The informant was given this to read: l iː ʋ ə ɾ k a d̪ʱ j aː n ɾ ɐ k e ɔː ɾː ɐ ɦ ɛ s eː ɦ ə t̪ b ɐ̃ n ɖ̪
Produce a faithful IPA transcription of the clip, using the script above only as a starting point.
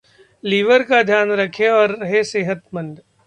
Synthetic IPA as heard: l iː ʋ ə ɾ k a d̪ʱ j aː n ɾ ɐ kʰ e ɔː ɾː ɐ ɦ e s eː ɦ ə t̪ m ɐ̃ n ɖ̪